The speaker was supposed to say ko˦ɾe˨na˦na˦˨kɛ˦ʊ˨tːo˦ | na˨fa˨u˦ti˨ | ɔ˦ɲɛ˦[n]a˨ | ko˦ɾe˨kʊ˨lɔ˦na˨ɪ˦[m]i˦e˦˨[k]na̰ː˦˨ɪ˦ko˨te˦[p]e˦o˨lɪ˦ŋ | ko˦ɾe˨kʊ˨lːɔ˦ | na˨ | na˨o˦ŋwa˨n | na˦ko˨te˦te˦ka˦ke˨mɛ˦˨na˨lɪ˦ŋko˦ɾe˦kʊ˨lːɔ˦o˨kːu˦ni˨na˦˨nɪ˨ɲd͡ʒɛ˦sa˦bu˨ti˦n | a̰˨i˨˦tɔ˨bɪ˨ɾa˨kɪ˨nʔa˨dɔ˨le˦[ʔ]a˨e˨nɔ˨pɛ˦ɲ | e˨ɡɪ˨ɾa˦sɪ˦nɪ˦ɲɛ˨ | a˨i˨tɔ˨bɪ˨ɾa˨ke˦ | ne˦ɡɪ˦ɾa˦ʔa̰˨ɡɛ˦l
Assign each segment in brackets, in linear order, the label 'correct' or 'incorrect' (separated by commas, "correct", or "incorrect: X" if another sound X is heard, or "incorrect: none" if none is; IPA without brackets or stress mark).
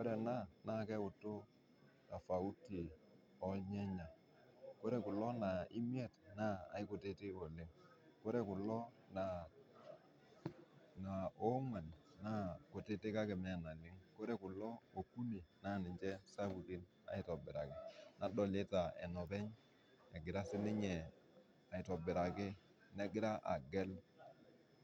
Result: incorrect: ɲ, correct, incorrect: t, incorrect: t, incorrect: t